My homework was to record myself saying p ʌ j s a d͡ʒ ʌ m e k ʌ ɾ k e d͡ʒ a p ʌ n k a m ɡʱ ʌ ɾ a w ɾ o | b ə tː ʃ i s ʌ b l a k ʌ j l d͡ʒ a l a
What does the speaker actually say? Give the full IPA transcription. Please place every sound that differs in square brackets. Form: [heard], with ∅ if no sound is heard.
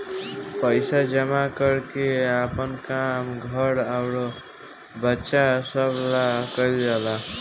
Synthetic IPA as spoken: p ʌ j s a d͡ʒ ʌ m [a] k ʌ ɾ k e [∅] a p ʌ n k a m ɡʱ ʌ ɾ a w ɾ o | b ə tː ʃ [a] s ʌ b l a k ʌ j l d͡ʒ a l a